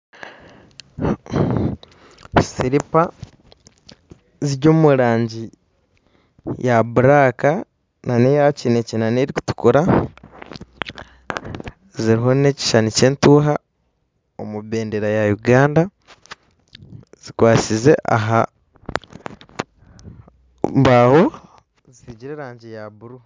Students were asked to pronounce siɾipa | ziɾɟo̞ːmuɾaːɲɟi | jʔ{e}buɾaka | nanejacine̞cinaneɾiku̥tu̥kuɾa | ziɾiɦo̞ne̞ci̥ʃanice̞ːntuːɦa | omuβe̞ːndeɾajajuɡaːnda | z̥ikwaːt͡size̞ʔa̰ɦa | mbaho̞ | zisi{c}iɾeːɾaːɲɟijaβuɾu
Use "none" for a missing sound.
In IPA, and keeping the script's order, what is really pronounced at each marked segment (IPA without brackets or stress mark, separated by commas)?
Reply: a, ɟ